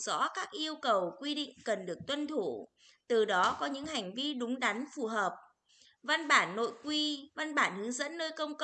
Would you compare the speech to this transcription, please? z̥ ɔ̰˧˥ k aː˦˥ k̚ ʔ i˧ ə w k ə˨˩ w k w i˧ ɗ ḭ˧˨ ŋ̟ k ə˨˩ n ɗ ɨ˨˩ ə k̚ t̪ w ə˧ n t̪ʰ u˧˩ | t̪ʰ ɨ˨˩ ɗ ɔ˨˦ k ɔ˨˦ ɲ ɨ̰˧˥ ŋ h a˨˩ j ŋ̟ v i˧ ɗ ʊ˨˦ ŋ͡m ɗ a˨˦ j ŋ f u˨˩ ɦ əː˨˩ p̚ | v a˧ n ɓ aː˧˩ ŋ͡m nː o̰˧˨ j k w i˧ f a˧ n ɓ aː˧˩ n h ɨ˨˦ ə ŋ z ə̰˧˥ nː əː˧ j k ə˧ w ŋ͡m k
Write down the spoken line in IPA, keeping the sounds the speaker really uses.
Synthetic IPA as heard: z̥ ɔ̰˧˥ k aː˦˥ k̚ ʔ i˧ ə w k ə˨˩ w k w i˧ ɗ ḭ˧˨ ŋ̟ k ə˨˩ n ɗ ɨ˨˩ ə k̚ t̪ w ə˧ n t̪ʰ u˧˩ | t̪ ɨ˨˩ ɗ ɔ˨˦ k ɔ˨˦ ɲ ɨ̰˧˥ ŋ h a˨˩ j ŋ̟ v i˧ ɗ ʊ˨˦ ŋ͡m ɗ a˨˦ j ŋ f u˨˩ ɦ əː˨˩ p̚ | v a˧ n ɓ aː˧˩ nː o̰˧˨ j k w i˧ v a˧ n ɓ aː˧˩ n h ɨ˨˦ ə ŋ z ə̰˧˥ nː əː˧ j k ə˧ w ŋ͡m k